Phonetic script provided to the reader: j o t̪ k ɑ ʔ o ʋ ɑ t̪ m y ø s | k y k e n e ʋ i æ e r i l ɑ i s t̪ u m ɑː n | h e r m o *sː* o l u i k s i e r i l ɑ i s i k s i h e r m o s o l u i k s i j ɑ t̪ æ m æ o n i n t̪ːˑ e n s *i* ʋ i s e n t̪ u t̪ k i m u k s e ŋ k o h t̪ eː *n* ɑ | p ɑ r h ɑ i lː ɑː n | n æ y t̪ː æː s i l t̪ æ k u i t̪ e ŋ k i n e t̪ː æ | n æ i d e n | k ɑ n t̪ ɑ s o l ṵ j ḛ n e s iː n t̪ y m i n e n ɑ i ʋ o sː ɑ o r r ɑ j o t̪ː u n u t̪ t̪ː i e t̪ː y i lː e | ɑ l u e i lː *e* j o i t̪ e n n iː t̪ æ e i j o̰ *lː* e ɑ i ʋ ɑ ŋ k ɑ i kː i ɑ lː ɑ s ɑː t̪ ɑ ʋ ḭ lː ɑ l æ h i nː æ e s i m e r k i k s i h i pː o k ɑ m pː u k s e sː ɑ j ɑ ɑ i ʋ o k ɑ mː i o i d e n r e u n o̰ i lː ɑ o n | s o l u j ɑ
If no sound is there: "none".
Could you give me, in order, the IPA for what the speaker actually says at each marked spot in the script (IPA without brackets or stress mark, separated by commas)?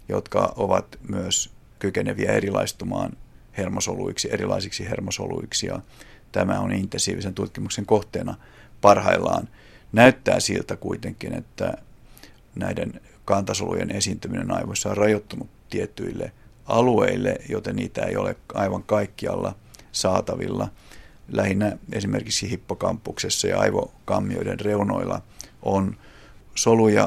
s, iː, n, e, l